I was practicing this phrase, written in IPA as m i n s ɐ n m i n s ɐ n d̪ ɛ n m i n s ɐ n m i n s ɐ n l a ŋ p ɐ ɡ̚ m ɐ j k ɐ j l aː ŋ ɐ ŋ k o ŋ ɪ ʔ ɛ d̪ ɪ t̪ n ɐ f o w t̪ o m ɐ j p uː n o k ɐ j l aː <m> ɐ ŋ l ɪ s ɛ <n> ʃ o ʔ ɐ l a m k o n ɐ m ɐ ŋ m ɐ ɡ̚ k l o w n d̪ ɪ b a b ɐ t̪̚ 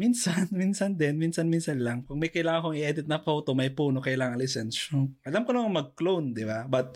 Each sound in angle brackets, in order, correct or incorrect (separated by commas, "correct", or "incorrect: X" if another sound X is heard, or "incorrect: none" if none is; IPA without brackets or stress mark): incorrect: ŋ, correct